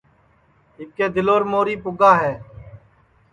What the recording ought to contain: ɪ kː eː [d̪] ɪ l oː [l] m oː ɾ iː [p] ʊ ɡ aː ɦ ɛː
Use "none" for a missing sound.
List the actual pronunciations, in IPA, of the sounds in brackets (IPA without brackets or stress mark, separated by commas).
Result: d̪, ɾ, p